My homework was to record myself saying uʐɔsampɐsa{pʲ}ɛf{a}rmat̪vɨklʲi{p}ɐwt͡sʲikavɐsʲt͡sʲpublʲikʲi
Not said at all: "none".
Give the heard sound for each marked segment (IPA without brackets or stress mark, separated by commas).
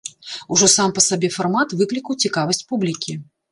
bʲ, a, k